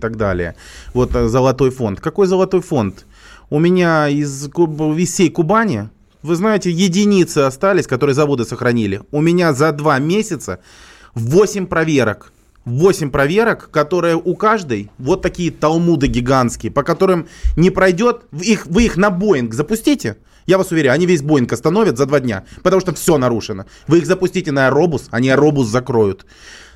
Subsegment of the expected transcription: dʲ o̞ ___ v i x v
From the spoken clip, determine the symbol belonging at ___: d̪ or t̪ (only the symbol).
t̪